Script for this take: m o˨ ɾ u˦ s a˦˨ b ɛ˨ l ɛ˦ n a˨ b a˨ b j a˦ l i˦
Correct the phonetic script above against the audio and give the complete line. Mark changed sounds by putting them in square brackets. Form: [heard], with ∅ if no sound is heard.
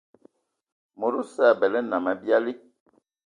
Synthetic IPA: m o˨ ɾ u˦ s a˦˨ b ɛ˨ l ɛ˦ n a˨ [m] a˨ b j a˦ l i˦